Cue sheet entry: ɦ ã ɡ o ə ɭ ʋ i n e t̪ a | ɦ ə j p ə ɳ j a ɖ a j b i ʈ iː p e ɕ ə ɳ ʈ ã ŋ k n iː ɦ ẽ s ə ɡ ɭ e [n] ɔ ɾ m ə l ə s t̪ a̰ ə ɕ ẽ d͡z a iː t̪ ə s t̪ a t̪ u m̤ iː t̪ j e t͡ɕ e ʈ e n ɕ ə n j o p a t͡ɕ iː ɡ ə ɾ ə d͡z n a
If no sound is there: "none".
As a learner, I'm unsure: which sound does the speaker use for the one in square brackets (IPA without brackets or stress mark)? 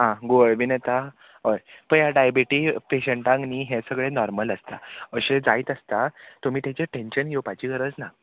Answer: n